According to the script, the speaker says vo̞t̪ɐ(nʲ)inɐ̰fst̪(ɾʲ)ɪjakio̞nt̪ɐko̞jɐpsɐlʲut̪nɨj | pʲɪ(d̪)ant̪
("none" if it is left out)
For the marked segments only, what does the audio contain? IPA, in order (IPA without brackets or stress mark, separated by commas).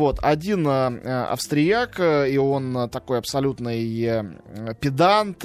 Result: dʲ, ɾʲ, d̪